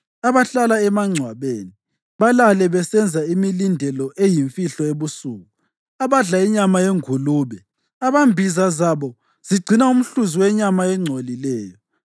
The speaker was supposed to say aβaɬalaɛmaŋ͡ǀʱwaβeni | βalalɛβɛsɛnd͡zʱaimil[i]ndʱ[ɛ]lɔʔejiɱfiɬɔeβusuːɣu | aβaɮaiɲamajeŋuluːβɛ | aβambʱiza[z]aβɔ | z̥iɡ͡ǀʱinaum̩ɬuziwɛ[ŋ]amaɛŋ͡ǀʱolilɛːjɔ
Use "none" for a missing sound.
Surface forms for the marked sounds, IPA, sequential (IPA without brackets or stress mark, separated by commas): i, ɛ, z, ɲ